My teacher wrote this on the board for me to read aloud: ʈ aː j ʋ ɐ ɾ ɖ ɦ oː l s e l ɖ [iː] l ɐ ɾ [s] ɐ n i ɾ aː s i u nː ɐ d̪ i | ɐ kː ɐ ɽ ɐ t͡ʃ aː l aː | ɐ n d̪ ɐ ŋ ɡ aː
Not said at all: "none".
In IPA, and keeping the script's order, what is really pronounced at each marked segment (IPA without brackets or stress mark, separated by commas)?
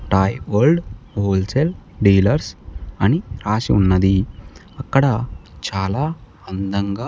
iː, s